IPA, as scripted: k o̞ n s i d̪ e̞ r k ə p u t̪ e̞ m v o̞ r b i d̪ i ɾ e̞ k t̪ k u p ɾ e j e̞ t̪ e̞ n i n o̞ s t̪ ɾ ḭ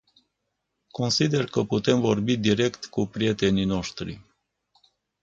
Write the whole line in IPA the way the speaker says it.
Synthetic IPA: k o̞ n s i d̪ e̞ r k ə p u t̪ e̞ m v o̞ r b i d̪ i ɾ e̞ k t̪ k u p ɾ i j e̞ t̪ e̞ n i n o̞ ʃ t̪ ɾ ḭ